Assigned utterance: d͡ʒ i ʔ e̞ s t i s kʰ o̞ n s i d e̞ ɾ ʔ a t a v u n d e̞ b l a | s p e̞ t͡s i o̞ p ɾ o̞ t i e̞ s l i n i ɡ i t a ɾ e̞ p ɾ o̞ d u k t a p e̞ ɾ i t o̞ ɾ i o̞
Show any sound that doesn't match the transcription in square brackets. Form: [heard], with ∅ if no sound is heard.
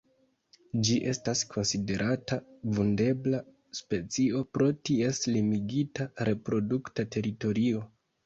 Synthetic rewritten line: d͡ʒ i ʔ e̞ s t [a] s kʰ o̞ n s i d e̞ ɾ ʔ a t a v u n d e̞ b l a | s p e̞ t͡s i o̞ p ɾ o̞ t i e̞ s l i [m] i ɡ i t a ɾ e̞ p ɾ o̞ d u k t a [t] e̞ ɾ i t o̞ ɾ i o̞